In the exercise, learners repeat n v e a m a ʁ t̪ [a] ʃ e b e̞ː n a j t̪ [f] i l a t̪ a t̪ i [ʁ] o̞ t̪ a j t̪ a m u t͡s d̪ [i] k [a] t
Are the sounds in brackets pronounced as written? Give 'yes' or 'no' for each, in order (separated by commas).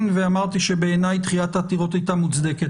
no, no, yes, no, no